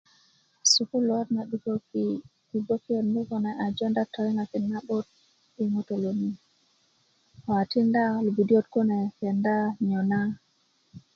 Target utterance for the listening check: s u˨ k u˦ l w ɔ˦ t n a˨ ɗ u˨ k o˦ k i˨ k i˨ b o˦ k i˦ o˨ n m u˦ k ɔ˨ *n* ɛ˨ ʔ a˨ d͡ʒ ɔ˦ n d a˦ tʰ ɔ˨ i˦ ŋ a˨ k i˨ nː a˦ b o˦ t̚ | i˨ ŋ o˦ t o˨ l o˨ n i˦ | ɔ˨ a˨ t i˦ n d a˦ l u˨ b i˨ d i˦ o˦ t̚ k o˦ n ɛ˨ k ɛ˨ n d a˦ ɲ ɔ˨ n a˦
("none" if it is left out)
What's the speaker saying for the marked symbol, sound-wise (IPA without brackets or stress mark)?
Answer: n